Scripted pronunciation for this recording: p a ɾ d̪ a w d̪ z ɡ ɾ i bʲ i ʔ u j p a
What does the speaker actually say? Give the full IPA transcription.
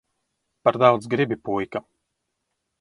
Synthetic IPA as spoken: p a ɾ d̪ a w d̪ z ɡ ɾ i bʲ i p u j k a